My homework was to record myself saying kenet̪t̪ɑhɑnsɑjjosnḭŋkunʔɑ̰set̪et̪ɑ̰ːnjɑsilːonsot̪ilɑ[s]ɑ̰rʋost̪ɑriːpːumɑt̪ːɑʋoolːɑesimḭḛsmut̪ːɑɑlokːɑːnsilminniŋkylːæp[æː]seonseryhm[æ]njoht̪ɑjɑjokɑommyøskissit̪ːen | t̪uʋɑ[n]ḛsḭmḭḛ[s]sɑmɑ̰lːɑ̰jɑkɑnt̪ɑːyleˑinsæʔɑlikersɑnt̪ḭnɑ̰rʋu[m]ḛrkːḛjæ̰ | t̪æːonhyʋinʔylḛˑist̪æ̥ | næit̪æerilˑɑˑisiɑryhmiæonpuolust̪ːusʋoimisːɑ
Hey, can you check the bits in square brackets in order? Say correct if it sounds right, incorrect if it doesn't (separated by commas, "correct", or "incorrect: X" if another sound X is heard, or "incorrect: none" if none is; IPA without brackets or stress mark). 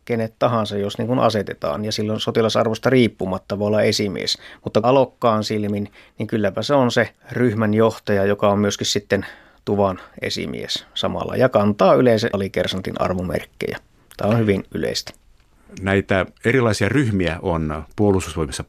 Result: correct, incorrect: æ, correct, correct, correct, correct